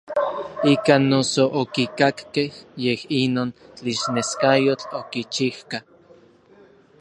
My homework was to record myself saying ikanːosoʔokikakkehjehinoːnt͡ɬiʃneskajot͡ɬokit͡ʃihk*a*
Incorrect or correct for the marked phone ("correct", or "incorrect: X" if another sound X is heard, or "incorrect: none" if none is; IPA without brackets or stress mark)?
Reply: correct